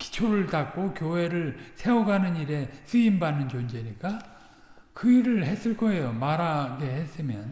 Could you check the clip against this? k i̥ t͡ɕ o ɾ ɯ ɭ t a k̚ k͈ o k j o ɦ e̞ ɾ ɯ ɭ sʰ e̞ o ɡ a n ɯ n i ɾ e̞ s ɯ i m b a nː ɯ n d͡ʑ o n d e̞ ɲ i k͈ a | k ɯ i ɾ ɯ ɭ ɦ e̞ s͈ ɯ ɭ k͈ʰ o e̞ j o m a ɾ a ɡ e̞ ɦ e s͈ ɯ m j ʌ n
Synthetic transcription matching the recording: k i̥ t͡ɕʰ o ɾ ɯ ɭ t a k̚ k͈ o k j o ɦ e̞ ɾ ɯ ɭ sʰ e̞ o ɡ a n ɯ n i ɾ e̞ s ɯ i m b a nː ɯ n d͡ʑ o n d͡ʑ e̞ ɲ i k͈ a | k ɯ i ɾ ɯ ɭ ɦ e̞ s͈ ɯ ɭ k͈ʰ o e̞ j o m a ɾ a ɡ e̞ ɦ e s͈ ɯ m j ʌ n